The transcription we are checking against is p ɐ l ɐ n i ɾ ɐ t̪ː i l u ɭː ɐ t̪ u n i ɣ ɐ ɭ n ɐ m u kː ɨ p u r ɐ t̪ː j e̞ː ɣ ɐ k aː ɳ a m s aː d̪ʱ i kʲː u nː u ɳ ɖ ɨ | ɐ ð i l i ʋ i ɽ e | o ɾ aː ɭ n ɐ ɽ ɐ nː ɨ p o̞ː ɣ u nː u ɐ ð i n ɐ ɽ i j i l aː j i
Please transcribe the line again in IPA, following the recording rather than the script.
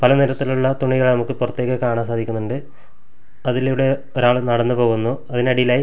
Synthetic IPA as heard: p ɐ l ɐ n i ɾ ɐ t̪ː i l u ɭː ɐ t̪ u ɳ i ɣ ɐ ɭ n ɐ m u kː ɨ p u r ɐ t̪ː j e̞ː ɣ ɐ k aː ɳ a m s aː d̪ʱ i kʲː u nː u ɳ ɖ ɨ | ɐ ð i l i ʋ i ɽ e | o ɾ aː ɭ n ɐ ɽ ɐ nː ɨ p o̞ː ɣ u nː u ɐ ð i n ɐ ɽ i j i l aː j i